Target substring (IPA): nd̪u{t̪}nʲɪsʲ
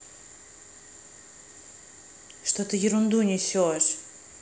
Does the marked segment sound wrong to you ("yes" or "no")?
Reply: yes